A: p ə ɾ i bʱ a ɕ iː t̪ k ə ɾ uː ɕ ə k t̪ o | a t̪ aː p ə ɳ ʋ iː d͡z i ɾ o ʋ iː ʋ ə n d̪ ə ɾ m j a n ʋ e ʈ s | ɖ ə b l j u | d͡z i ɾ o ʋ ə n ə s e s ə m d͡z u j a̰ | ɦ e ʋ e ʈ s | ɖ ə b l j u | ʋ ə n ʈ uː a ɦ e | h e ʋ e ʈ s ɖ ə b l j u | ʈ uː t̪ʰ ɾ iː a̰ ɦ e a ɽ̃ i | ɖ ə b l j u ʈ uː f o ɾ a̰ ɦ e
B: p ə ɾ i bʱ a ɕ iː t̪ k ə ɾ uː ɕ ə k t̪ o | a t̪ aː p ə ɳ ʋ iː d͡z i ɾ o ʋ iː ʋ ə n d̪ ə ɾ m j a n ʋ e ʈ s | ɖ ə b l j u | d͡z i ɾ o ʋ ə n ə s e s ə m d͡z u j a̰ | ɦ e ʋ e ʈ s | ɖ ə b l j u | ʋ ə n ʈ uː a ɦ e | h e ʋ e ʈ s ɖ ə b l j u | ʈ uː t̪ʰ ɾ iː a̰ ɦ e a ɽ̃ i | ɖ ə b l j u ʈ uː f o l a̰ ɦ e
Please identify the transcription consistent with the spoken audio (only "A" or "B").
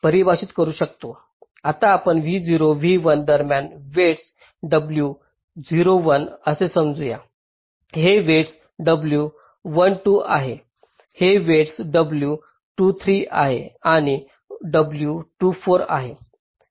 A